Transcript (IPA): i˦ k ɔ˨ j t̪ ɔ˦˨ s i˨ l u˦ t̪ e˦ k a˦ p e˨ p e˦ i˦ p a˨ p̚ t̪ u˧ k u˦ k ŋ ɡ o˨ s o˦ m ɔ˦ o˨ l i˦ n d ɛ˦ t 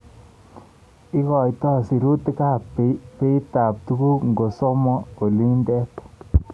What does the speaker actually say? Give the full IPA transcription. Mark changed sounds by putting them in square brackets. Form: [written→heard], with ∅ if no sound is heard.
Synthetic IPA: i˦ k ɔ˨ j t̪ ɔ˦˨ s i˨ [l→ɾ] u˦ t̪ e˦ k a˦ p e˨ p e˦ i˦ [p→t] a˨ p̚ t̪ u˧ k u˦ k ŋ ɡ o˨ s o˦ m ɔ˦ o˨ l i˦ n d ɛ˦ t

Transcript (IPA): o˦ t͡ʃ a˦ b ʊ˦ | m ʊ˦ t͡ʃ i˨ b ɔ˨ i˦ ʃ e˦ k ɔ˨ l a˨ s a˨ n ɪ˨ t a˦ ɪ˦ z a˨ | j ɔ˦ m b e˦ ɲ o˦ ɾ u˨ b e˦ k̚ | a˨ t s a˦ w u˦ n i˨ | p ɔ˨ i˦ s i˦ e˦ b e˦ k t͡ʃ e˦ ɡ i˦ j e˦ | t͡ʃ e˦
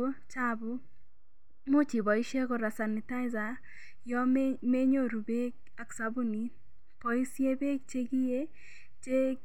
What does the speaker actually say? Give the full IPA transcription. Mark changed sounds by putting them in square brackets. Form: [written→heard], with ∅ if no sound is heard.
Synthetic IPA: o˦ t͡ʃ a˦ b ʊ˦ | m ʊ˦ t͡ʃ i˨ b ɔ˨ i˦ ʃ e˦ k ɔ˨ [l→ɾ] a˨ s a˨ n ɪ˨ t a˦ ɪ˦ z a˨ | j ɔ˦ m [b→m] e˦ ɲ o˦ ɾ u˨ b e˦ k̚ | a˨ [t→k] s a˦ [w→b] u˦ n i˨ | p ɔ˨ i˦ s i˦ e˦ b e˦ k t͡ʃ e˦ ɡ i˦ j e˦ | t͡ʃ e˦

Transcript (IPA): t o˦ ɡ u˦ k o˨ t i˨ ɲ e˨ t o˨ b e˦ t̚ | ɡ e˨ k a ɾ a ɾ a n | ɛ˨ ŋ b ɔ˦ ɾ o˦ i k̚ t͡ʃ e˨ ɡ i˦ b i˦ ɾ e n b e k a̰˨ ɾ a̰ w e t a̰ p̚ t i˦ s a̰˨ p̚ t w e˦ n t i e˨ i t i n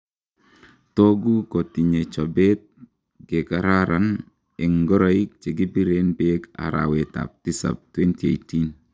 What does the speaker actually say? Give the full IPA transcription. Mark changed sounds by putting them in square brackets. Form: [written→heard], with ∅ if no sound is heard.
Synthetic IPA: t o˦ ɡ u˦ k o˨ t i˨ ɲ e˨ [t→t͡ʃ] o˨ b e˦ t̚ | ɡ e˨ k a ɾ a ɾ a n | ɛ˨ ŋ [b→ɡ] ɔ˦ ɾ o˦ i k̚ t͡ʃ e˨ ɡ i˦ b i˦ ɾ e n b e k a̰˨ ɾ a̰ w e t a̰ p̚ t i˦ s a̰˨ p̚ t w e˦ n t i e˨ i t i n

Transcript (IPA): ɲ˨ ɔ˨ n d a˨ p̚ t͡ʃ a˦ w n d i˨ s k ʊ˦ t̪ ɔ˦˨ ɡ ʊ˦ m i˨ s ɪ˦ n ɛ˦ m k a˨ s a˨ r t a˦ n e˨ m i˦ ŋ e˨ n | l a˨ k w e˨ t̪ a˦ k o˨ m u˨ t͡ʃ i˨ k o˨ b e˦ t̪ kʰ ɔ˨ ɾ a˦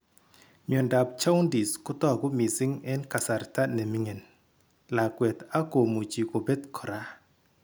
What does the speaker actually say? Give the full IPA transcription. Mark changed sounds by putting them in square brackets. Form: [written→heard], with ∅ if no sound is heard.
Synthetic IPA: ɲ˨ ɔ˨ n d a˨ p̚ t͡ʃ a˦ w n d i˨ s k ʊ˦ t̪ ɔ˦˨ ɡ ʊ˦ m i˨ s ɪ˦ [n→ŋ] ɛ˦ [m→n] k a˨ s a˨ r t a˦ n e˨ m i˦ ŋ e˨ n | l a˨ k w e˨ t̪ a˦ k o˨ m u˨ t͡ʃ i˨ k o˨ b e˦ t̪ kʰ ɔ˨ ɾ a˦

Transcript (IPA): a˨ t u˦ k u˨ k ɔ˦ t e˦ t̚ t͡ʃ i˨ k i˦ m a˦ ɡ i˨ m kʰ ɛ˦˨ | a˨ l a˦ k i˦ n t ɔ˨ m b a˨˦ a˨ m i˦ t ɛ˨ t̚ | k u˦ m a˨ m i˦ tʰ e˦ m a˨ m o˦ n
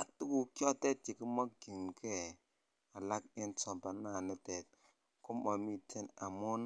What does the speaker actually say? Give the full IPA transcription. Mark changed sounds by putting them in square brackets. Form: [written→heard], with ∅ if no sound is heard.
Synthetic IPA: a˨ t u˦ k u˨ k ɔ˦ t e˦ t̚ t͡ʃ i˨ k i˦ m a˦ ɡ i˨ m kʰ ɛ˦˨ | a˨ l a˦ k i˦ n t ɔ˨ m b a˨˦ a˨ [m→n] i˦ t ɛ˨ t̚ | k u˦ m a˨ m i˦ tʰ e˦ [m→n] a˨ m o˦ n

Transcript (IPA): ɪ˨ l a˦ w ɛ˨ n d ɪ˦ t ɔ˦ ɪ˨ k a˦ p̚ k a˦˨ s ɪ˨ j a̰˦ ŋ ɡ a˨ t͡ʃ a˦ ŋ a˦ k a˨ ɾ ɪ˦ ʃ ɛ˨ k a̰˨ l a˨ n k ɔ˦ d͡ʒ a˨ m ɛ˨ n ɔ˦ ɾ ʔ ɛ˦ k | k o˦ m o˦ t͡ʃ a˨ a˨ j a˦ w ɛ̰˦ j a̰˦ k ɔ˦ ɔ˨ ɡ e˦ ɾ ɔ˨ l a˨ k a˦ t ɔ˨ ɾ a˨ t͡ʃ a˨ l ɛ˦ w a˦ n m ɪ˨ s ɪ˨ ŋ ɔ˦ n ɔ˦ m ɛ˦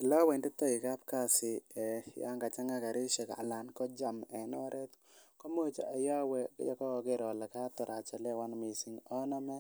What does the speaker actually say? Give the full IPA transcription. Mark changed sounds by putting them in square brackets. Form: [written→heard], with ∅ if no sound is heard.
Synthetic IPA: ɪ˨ l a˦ w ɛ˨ n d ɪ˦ t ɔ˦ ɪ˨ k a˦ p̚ k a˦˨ s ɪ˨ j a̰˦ ŋ ɡ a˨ t͡ʃ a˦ ŋ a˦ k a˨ ɾ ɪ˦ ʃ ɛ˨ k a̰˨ l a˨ n k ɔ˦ d͡ʒ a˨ m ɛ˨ n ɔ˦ ɾ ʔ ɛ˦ [k→t] | k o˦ m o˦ t͡ʃ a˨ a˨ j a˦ w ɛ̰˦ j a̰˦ k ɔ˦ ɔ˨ ɡ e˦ ɾ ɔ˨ l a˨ k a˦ t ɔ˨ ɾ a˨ t͡ʃ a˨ l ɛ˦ w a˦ n m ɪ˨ s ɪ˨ ŋ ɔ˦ n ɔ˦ m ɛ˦

